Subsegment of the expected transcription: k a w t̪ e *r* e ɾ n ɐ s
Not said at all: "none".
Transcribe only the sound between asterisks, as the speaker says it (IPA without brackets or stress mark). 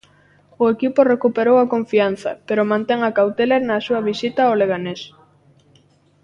l